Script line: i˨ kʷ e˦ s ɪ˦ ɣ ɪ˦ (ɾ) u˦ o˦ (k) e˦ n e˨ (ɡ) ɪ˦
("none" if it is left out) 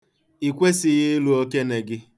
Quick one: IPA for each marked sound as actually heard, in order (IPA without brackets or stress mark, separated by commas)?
l, k, ɡ